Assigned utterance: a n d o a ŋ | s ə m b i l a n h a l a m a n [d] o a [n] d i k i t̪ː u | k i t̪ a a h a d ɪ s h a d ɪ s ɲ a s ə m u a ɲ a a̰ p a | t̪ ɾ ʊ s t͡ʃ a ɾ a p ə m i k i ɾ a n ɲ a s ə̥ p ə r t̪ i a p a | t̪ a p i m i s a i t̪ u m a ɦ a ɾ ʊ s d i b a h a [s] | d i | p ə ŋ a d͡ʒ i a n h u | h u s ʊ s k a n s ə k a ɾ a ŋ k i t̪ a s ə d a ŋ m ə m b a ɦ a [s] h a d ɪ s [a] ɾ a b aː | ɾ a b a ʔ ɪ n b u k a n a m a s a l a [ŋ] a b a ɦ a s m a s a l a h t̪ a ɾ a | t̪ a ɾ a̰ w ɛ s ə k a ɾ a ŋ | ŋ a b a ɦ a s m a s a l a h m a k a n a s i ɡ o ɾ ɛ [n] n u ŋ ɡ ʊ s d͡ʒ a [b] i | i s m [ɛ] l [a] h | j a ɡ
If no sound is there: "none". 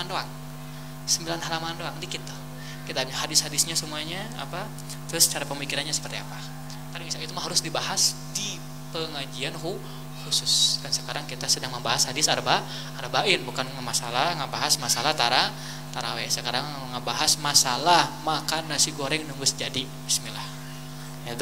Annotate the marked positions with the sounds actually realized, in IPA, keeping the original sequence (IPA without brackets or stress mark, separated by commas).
d, ŋ, s, s, a, ŋ, ŋ, d, i, a